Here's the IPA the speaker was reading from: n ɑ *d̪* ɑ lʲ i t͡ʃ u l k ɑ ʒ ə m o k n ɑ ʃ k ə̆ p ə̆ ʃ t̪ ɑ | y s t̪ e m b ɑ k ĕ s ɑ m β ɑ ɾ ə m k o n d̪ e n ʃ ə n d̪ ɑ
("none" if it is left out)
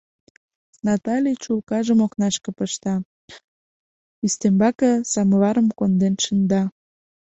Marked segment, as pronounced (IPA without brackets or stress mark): t̪